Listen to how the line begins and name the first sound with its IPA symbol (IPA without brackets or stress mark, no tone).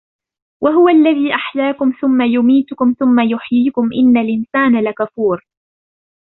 w